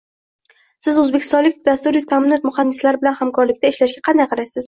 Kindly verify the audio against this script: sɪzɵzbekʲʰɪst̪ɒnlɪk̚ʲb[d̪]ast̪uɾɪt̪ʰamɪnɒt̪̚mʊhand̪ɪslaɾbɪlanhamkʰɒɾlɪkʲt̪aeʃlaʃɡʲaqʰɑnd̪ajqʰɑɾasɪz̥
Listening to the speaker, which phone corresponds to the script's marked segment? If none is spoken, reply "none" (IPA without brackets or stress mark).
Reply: d̪